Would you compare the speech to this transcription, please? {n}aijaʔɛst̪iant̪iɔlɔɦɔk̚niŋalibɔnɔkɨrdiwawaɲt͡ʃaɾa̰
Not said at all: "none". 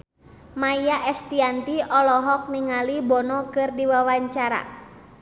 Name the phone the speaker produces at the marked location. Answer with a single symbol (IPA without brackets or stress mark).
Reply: m